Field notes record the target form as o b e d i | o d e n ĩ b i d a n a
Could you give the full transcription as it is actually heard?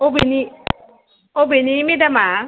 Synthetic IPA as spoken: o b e n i | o b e n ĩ m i d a m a